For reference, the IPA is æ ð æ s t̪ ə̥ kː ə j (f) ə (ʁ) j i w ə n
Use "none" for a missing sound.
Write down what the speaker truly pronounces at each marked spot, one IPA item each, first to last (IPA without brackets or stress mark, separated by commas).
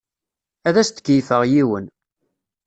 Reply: f, ʁ